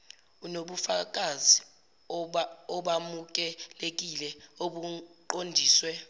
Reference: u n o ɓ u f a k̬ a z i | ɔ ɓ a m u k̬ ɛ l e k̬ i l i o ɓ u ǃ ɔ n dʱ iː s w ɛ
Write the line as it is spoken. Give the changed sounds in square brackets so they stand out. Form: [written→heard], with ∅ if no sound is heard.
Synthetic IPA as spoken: u n o ɓ u f a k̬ a z i | ɔ ɓ a m u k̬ ɛ l e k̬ i l [i→ɛ] o ɓ u ǃ [ɔ→o] n dʱ iː s w ɛ